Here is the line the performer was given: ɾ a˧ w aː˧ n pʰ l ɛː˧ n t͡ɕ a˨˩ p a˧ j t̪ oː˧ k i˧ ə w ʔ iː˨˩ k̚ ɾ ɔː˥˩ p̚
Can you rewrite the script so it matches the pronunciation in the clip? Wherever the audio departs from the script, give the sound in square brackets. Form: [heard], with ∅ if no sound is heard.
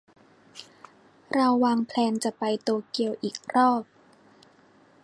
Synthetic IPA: ɾ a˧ [wː] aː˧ [ŋ] pʰ l ɛː˧ n t͡ɕ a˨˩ p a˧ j t̪ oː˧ k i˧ ə w ʔ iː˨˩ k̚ ɾ ɔː˥˩ p̚